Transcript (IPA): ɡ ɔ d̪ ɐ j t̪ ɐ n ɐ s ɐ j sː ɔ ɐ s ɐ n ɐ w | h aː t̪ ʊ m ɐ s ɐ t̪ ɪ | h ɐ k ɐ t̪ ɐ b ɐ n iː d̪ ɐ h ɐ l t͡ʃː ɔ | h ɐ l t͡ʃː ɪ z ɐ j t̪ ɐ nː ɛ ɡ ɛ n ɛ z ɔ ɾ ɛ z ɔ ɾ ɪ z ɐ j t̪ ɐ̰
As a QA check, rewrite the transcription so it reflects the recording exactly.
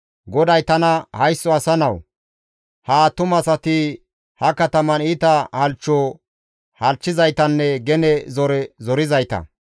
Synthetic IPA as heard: ɡ ɔ d̪ ɐ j t̪ ɐ n ɐ h ɐ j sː ɔ ɐ s ɐ n ɐ w | h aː t̪ ʊ m ɐ s ɐ t̪ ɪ | h ɐ k ɐ t̪ ɐ m ɐ n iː t̪ ɐ h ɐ l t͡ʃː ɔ | h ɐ l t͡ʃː ɪ z ɐ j t̪ ɐ nː ɛ ɡ ɛ n ɛ z ɔ ɾ ɛ z ɔ ɾ ɪ z ɐ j t̪ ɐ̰